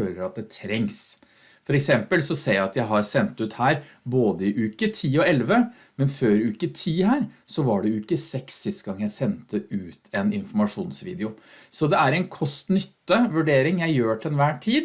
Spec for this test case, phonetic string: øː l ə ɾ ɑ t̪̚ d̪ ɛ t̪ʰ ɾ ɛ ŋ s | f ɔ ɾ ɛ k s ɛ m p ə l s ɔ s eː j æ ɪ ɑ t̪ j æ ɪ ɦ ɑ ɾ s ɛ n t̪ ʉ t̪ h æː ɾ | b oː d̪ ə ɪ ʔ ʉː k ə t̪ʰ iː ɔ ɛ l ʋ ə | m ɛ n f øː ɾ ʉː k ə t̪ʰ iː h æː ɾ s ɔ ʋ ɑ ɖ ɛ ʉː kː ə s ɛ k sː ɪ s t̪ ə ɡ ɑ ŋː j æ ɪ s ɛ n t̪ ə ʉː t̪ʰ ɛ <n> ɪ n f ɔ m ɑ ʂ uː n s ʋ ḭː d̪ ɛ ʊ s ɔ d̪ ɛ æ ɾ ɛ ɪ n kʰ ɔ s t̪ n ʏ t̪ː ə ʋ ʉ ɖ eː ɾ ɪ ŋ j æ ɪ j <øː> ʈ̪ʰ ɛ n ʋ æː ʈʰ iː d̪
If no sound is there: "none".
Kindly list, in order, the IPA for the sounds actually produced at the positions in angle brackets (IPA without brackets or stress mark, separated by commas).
n, øː